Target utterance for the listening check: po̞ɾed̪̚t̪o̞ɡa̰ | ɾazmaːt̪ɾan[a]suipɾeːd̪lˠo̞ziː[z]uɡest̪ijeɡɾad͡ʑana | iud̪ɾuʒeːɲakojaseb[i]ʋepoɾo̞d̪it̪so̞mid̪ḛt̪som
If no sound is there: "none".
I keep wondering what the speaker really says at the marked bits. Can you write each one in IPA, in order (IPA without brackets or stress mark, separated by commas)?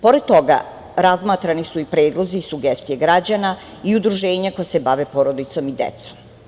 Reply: i, s, a